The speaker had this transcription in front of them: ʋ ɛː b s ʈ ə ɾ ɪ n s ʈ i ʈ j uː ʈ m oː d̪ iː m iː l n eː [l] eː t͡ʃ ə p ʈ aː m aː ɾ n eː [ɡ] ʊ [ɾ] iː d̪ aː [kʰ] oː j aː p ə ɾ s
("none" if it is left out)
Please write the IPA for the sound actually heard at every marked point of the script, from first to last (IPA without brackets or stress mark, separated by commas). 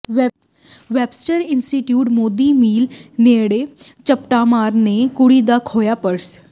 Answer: ɽ, k, ɽ, kʰ